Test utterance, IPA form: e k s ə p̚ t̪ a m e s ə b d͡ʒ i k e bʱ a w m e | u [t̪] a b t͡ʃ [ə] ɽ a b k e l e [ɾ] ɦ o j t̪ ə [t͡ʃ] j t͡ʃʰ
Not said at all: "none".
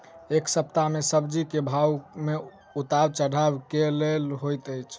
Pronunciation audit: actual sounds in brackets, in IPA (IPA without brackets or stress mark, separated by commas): t̪, ə, l, none